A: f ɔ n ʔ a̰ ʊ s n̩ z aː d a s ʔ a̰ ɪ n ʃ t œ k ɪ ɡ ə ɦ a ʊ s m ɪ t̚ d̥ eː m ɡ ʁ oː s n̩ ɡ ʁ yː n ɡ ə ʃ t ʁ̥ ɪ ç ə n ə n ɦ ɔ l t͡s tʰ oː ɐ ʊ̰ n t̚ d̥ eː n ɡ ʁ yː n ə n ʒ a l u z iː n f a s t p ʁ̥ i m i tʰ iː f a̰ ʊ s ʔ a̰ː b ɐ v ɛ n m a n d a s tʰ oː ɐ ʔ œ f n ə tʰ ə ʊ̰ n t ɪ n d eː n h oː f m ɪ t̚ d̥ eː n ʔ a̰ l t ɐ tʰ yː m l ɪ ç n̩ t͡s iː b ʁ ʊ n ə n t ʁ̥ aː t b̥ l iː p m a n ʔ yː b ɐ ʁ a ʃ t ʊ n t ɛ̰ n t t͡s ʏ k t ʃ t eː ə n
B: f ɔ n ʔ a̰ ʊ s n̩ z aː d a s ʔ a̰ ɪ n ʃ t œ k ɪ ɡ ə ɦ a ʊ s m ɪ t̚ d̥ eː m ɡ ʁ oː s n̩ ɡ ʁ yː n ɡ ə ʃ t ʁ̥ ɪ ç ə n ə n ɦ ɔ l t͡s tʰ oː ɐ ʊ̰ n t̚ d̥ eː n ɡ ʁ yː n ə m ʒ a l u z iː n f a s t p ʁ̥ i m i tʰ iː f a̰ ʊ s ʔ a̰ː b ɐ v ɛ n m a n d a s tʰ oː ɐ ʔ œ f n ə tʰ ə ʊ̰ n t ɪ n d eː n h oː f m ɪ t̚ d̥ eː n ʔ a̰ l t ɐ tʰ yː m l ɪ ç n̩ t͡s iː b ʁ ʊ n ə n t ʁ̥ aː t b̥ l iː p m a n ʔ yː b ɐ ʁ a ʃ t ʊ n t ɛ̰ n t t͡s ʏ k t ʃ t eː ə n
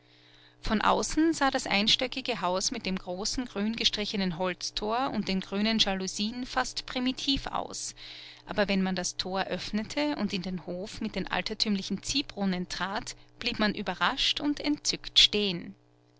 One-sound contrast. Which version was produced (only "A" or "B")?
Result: A